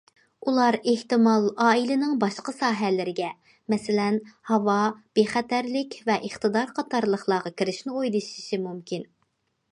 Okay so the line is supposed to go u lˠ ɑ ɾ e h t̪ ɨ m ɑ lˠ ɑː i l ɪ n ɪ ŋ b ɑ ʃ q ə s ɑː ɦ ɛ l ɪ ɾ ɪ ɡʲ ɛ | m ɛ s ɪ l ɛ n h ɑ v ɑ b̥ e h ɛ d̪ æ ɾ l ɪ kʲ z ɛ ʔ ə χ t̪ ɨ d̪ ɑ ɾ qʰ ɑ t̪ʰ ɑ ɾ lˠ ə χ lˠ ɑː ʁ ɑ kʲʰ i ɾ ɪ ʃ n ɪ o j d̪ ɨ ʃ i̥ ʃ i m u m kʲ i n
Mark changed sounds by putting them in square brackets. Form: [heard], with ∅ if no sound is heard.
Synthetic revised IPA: u lˠ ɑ ɾ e h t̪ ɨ m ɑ lˠ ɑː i l ɪ n ɪ ŋ b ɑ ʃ q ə s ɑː ɦ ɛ l ɪ ɾ ɪ ɡʲ ɛ | m ɛ s ɪ l ɛ n h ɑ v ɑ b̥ e [χ] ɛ [t̪] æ ɾ l ɪ kʲ [v] ɛ ʔ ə χ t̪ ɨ d̪ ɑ ɾ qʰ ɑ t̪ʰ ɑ ɾ lˠ ə χ lˠ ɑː ʁ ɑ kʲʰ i ɾ ɪ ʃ n ɪ o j d̪ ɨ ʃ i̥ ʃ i m u m kʲ i n